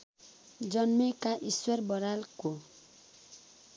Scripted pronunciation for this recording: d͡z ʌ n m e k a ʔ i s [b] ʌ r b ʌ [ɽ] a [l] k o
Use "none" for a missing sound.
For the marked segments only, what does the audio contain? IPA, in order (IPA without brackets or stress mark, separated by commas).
w, ɾ, l